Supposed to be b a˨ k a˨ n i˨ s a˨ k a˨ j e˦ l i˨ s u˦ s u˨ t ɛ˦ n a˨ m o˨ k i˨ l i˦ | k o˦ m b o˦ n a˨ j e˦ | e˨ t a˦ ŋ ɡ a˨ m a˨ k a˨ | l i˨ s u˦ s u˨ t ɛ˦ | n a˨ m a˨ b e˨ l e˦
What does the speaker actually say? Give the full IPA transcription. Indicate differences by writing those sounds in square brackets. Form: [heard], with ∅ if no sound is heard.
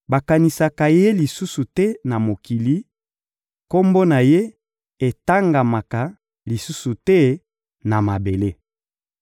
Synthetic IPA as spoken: b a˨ k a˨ n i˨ s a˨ k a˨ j e˦ l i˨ s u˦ s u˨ t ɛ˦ n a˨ m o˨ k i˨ l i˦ | k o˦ m b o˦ n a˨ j e˦ | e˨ t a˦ ŋ ɡ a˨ m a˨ k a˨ | l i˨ s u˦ s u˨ t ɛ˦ | n a˨ m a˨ b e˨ l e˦